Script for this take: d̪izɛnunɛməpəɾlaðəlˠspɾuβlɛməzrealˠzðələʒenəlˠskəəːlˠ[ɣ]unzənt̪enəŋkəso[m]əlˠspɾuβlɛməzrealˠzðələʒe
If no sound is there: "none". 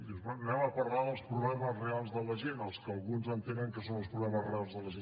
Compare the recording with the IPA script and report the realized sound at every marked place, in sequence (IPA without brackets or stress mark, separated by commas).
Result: ɣ, n